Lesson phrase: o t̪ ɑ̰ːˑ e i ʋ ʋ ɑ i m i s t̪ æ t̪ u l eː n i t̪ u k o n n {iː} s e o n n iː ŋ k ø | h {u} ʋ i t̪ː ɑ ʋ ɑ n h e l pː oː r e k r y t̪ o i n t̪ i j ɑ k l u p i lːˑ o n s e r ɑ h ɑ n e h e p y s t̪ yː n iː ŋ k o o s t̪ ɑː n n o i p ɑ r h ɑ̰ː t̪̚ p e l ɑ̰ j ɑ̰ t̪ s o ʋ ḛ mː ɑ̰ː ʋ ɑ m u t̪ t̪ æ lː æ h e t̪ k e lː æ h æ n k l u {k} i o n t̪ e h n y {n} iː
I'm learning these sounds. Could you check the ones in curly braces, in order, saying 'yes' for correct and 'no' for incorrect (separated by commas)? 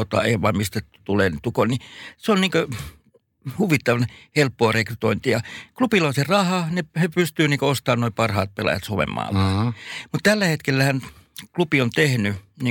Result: no, yes, no, yes